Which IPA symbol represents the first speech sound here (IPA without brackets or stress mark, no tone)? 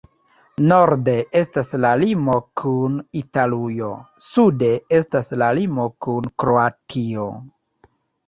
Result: n